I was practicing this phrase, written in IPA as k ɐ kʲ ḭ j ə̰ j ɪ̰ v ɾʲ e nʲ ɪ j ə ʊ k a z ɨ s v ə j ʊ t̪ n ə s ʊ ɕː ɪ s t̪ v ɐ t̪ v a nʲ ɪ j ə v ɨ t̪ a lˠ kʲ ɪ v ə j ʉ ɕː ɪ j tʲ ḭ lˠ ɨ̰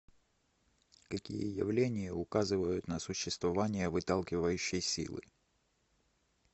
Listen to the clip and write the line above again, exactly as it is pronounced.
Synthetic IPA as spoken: k ɐ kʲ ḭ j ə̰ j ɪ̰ v lʲ e nʲ ɪ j ə ʊ k a z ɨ v ə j ʊ t̪ n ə s ʊ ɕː ɪ s t̪ v ɐ v a nʲ ɪ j ə v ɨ t̪ a lˠ kʲ ɪ v ə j ʉ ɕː ɪ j sʲ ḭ lˠ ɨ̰